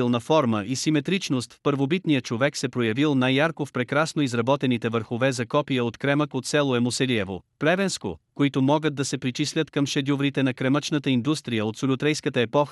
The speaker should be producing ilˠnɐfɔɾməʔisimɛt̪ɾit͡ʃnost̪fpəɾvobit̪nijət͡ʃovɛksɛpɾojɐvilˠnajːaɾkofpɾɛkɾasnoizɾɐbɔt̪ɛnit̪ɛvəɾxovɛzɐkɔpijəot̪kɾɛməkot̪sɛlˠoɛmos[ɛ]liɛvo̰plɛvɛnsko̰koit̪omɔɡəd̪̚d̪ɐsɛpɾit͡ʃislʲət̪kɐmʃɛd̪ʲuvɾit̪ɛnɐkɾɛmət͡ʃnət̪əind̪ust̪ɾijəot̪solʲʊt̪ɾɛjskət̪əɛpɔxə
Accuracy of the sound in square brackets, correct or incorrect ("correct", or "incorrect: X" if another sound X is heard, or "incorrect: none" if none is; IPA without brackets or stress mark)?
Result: correct